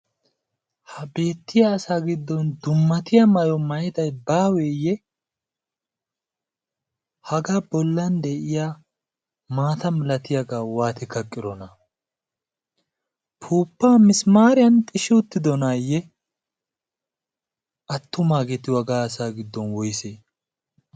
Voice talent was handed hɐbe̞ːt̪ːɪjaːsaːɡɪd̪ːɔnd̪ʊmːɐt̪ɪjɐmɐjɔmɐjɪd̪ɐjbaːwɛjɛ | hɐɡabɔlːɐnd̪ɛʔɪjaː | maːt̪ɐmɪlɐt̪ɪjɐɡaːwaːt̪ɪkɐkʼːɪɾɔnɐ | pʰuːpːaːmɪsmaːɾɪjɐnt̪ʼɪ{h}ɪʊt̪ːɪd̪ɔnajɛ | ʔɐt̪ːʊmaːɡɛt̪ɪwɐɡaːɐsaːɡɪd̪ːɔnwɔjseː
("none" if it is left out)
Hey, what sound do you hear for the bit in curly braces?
ʃ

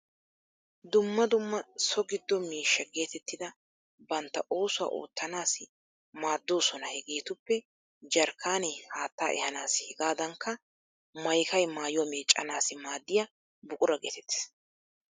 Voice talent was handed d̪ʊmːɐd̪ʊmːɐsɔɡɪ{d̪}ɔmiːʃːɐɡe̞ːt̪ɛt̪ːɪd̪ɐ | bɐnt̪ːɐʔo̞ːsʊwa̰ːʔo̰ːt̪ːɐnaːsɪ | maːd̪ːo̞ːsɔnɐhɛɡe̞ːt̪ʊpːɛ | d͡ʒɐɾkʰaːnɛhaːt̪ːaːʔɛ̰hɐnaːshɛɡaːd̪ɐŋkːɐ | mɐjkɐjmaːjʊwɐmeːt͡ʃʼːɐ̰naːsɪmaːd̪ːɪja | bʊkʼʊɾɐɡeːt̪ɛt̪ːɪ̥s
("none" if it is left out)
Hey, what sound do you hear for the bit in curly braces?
d̪ː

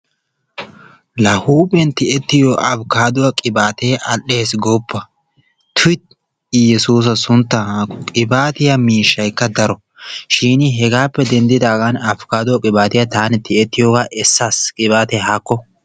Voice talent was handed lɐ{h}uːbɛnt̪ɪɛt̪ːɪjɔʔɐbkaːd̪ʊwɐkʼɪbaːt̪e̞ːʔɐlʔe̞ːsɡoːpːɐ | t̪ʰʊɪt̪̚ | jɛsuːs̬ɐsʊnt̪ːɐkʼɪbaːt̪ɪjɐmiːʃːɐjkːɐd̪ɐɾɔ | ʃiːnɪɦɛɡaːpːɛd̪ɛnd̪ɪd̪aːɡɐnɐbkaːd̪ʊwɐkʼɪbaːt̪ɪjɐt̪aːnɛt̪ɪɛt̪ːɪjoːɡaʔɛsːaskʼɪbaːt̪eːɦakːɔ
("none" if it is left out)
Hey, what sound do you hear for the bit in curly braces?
h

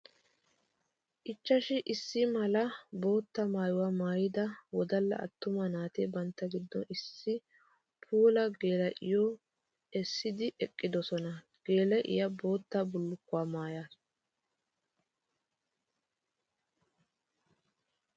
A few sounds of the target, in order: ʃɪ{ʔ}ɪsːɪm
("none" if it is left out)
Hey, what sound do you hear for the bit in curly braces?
ʔ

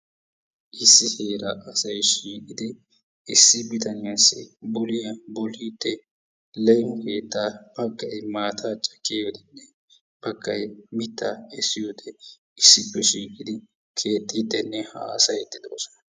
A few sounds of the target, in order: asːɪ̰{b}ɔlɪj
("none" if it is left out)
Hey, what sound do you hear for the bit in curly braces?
b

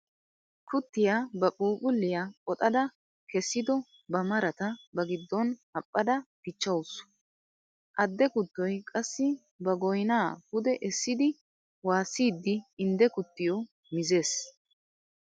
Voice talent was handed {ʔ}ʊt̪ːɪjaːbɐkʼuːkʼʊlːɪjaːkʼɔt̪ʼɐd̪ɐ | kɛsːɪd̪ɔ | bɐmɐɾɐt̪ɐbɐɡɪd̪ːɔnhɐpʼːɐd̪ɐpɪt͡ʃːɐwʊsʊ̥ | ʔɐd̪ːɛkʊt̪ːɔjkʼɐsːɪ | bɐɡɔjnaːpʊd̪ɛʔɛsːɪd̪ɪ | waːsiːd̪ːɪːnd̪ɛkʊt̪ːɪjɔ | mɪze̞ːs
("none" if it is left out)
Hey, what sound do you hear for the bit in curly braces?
k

